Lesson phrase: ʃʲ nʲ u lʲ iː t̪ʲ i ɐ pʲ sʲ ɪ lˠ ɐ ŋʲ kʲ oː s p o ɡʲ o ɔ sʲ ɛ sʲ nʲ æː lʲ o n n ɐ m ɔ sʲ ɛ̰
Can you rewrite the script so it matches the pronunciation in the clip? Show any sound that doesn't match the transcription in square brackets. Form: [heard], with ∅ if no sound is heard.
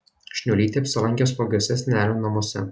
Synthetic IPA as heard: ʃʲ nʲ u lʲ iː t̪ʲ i ɐ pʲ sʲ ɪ lˠ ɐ ŋʲ kʲ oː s p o ɡʲ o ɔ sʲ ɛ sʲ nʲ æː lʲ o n n ɐ m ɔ sʲ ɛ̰